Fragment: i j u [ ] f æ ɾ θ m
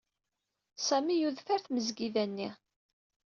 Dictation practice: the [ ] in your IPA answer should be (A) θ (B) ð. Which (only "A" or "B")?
B